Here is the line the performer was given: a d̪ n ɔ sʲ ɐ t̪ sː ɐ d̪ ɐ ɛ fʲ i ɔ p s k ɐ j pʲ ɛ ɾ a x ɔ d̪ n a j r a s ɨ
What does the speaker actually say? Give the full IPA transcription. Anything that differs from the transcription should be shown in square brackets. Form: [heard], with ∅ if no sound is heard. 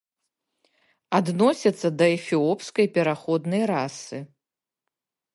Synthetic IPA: a d̪ n ɔ sʲ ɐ t̪ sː ɐ d̪ ɐ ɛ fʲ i ɔ p s k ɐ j pʲ ɛ ɾ a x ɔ d̪ n [ɐ] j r a s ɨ